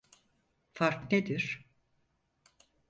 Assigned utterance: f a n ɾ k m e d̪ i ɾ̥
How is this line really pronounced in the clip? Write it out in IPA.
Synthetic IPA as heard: f a ɾ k n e d̪ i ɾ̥